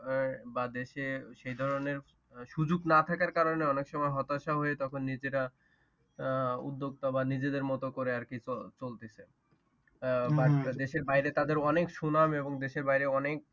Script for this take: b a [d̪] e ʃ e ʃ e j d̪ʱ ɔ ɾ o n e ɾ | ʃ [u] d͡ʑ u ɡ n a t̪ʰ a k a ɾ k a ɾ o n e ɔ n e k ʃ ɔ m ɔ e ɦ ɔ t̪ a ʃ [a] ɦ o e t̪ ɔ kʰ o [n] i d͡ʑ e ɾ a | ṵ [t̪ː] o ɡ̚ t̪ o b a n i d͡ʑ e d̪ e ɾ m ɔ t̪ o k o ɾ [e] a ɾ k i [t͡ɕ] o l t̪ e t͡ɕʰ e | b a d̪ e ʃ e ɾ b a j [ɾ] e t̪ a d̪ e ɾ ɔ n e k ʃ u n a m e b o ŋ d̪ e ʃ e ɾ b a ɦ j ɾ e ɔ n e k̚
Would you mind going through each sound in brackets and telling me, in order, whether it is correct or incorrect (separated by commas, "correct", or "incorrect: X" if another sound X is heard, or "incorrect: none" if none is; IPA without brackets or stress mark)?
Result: correct, correct, correct, incorrect: nː, incorrect: d̪ː, correct, correct, correct